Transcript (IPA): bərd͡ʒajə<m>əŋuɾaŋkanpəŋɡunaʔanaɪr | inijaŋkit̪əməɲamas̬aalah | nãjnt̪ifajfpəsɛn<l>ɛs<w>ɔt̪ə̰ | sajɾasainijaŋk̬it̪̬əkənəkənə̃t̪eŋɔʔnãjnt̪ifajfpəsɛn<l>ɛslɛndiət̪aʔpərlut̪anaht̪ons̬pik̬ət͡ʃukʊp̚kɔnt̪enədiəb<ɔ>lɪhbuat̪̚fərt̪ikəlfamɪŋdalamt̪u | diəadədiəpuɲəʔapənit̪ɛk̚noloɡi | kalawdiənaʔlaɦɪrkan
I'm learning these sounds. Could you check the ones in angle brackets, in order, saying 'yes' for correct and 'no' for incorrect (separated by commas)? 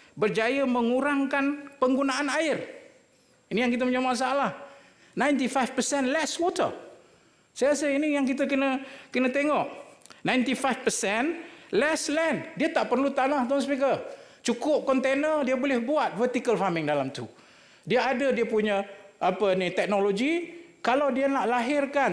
yes, yes, yes, yes, no